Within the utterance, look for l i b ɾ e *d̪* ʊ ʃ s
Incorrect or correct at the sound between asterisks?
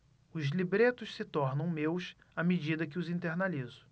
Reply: incorrect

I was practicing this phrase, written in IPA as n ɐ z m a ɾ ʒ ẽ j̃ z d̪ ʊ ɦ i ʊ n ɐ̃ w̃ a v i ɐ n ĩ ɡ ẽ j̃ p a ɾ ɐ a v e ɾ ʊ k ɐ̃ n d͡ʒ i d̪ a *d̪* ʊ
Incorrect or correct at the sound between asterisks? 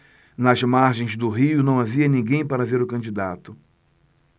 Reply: incorrect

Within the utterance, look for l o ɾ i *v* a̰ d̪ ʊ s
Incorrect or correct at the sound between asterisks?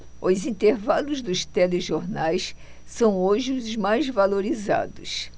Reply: incorrect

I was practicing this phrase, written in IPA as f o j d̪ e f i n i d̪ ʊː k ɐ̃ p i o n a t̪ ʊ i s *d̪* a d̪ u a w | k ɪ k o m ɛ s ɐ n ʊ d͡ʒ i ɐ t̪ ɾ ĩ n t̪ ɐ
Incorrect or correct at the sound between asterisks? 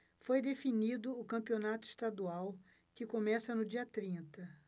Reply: incorrect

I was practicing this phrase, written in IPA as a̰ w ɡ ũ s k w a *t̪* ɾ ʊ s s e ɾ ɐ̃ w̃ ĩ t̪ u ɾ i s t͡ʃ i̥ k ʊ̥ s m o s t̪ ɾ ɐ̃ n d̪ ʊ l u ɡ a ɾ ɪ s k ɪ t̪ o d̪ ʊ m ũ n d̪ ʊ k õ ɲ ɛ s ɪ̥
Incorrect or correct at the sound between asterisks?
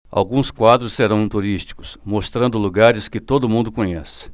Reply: incorrect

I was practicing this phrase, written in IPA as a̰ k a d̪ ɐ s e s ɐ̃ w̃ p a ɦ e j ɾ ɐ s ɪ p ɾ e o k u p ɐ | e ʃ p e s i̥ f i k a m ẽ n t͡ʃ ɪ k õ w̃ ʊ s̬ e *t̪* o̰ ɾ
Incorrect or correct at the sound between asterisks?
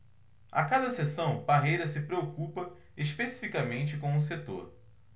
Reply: correct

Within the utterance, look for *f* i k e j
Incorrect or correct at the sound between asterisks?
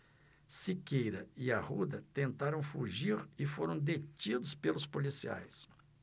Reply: incorrect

